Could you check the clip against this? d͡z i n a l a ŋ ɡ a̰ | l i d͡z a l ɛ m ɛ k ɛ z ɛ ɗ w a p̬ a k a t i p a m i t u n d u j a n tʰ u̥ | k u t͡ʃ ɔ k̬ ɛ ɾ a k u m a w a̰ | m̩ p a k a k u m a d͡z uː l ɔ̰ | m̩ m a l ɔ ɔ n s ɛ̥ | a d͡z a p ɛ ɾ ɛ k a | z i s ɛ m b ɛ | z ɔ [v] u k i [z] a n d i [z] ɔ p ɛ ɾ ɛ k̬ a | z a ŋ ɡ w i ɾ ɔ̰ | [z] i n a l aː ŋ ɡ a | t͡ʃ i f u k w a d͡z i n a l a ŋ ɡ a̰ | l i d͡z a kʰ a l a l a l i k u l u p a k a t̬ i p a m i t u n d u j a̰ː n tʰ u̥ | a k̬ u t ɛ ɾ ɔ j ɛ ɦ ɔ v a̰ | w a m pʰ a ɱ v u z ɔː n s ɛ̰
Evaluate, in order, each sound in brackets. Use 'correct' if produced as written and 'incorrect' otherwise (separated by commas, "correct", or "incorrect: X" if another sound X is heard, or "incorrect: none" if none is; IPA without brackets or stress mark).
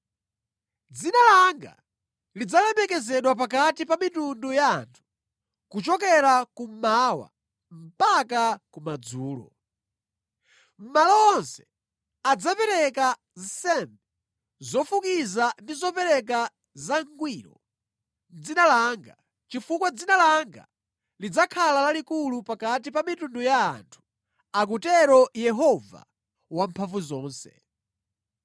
incorrect: f, correct, correct, incorrect: d͡z